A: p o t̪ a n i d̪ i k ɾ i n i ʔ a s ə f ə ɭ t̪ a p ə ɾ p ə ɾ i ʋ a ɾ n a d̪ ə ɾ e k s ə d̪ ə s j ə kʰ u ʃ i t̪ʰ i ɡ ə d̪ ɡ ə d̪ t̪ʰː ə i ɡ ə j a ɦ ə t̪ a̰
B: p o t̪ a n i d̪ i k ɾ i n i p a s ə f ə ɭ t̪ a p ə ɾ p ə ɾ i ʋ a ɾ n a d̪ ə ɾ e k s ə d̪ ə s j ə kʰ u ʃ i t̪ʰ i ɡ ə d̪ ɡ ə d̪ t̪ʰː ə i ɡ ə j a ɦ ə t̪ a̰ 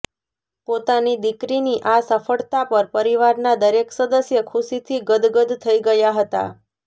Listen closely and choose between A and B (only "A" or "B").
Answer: A